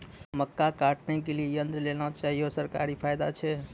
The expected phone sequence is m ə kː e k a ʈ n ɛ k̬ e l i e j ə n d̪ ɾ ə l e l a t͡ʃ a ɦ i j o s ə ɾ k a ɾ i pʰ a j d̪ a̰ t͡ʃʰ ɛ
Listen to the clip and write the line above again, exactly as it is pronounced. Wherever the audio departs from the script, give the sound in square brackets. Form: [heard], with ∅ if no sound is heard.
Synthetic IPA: m ə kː [a] k a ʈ n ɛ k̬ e l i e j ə n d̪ ɾ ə l e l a t͡ʃ a ɦ i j o s ə ɾ k a ɾ i pʰ a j d̪ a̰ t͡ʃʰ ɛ

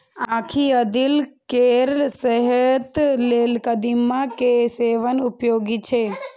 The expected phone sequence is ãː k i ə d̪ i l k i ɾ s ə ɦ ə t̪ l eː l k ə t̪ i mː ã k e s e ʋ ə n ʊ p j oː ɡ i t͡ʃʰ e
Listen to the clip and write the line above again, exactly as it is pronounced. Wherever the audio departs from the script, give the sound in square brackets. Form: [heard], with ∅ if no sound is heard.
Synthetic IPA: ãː [kʰ] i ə d̪ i l k [e] ɾ s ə ɦ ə t̪ l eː l k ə [d̪] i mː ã k e s e ʋ ə n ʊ p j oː ɡ i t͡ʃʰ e

